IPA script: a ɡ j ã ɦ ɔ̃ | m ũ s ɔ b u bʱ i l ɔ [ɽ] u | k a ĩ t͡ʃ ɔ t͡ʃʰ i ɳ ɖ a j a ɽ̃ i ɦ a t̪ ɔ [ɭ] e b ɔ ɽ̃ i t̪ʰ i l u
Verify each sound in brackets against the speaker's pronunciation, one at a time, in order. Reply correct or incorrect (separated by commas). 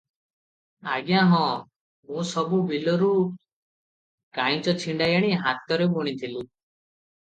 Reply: incorrect, incorrect